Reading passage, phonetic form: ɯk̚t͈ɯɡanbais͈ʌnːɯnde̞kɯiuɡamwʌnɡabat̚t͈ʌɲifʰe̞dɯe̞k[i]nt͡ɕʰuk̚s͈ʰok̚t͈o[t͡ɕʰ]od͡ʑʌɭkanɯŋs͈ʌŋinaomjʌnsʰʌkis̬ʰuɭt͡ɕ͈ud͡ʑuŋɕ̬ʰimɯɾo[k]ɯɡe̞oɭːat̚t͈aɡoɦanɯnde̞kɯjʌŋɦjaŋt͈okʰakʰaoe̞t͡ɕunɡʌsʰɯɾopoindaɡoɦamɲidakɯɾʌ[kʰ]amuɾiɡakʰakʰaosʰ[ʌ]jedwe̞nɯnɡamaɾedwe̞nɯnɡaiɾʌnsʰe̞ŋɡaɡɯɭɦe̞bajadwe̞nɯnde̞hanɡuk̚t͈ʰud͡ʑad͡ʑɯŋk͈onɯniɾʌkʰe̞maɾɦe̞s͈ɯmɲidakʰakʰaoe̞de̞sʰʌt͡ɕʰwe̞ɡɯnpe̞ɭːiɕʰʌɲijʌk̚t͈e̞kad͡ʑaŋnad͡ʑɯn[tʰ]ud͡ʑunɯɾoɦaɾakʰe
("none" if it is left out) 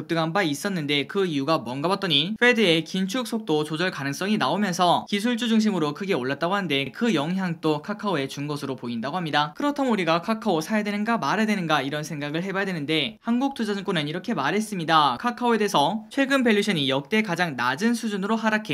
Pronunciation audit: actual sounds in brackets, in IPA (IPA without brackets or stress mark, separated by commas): i, t͡ɕ, kʰ, tʰ, a, sʰ